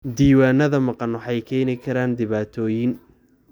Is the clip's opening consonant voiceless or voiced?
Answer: voiced